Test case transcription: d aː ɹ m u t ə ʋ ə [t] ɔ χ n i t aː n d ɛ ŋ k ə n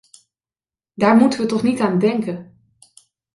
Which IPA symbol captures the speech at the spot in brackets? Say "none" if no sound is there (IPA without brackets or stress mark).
t